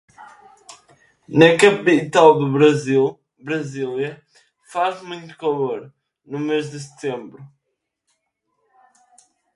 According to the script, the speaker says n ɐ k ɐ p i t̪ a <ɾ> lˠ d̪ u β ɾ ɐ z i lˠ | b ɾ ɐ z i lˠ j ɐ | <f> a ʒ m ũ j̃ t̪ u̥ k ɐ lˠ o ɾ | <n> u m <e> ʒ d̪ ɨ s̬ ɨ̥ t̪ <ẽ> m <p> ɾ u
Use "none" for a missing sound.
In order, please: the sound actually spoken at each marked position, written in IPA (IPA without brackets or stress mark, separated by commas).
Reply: none, f, n, e, ẽ, b